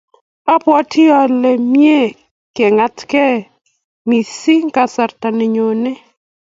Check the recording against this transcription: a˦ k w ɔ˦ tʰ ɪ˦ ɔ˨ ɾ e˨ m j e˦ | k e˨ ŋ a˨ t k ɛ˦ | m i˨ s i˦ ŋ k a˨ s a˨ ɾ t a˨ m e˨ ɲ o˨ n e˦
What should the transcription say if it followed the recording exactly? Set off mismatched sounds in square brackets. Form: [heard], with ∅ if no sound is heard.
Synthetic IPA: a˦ [p] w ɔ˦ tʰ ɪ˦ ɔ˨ [l] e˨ m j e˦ | k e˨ ŋ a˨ t k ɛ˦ | m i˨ s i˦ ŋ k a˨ s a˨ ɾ t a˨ [n] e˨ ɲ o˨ n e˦